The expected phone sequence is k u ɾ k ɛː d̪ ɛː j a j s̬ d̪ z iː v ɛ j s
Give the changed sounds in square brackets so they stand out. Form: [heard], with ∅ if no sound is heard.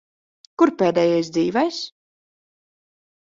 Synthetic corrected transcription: k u ɾ [p] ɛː d̪ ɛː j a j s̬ d̪ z iː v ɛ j s